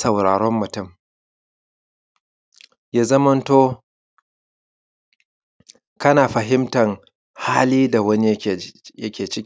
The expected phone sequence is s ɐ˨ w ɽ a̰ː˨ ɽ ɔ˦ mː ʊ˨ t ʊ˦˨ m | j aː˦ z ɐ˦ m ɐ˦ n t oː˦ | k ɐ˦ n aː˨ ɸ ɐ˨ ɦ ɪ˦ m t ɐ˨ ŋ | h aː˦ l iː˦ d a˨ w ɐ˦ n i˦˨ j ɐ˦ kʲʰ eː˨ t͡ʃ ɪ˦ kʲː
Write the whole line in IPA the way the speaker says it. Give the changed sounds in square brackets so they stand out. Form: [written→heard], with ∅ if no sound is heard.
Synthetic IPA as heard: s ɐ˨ w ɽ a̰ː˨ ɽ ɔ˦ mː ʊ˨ t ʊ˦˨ m | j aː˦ z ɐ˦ m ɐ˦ n t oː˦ | k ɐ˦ n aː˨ ɸ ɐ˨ ɦ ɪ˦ m t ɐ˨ ŋ | h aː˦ l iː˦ d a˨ w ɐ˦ n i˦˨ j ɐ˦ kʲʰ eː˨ t͡ʃ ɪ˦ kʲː